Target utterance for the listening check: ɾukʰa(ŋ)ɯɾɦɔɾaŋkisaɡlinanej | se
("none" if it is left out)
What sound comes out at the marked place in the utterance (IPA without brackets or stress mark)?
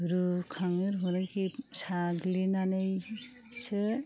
ŋ